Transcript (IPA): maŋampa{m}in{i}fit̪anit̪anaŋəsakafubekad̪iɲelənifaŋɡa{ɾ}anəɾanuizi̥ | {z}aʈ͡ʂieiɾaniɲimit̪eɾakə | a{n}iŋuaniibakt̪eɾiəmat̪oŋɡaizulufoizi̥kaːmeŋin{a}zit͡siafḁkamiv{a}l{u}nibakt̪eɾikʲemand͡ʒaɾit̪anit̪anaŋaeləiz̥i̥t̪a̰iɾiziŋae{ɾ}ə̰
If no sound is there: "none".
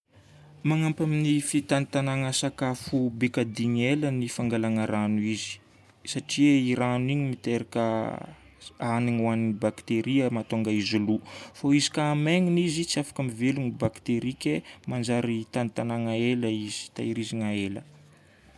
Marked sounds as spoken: m, i, l, s, n, i, e, u, l

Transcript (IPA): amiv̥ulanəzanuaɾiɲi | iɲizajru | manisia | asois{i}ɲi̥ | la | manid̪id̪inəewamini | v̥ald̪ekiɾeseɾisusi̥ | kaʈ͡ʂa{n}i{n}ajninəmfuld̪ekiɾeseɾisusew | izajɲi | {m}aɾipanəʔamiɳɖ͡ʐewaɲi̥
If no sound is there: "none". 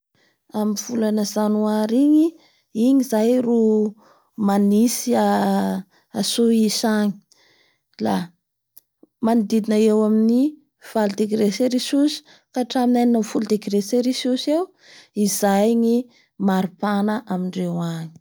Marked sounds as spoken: a, m, n, m

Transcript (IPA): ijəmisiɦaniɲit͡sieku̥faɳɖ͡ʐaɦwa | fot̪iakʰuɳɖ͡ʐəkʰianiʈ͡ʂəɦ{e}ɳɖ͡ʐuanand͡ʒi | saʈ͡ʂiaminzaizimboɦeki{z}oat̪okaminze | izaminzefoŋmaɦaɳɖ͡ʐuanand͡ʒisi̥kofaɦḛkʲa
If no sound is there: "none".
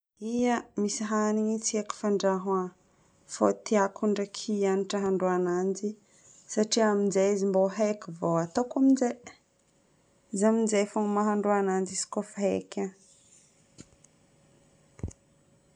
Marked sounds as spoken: a, v

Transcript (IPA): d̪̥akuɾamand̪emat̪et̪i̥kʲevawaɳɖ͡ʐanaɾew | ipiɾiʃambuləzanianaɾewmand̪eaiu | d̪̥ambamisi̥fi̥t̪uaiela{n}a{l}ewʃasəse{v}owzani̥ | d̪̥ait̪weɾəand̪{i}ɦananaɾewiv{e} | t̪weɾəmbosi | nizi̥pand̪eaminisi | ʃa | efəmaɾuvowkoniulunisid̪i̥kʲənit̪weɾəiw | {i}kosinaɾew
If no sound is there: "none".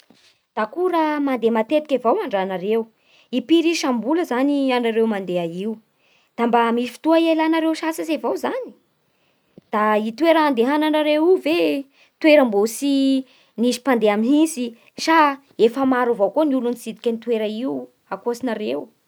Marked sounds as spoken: n, ɾ, v, e, e, a

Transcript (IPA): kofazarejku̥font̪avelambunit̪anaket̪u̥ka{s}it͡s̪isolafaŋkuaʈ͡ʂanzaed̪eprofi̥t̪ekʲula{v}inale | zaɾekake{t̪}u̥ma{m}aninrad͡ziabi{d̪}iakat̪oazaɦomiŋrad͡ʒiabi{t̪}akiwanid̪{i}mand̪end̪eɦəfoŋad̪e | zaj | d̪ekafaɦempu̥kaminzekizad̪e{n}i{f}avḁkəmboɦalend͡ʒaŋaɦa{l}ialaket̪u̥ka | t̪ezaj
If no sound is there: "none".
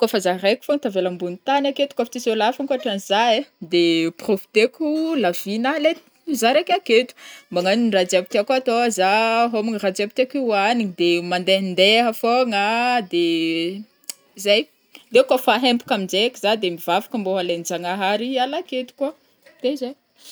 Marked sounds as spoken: f, v, t̪, ŋ, t̪, t̪, e, m, v, ɾ

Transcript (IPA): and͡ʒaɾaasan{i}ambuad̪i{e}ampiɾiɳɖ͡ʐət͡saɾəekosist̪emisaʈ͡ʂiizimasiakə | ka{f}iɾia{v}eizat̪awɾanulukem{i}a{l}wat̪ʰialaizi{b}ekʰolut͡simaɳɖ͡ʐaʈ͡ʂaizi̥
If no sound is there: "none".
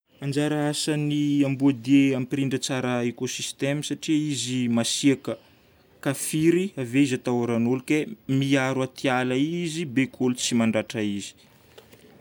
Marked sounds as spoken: i, e, f, v, i, ɾ, b

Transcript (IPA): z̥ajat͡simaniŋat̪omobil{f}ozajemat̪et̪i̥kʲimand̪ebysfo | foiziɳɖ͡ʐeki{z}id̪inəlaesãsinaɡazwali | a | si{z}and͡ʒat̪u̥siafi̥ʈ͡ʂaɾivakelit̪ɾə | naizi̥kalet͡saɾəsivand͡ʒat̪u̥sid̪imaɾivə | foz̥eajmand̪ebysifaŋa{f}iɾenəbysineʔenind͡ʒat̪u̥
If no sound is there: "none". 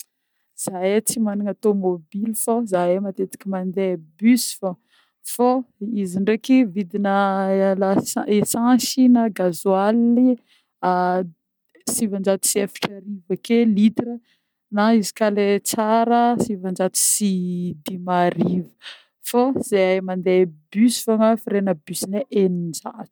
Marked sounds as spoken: f, v, v, f

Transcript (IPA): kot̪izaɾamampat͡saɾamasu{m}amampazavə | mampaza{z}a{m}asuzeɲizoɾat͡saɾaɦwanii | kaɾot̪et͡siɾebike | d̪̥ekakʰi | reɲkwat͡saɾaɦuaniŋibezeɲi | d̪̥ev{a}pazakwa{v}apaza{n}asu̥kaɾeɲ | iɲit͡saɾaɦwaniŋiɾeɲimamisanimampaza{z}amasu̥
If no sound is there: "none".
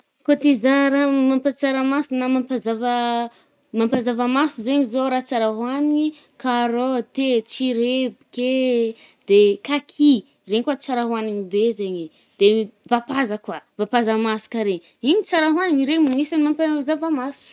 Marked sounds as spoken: n, v, m, a, v, m, v

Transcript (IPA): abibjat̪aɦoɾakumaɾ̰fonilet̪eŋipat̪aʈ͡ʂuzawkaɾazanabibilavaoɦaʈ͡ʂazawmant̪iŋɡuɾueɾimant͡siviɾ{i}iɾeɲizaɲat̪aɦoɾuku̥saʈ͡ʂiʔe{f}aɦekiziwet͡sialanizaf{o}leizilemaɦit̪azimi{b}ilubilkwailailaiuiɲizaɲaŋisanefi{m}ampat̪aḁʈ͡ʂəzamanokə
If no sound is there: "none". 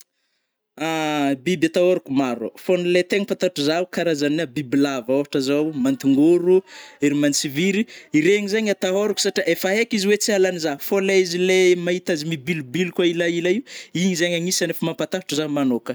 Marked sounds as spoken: i, f, o, b, m

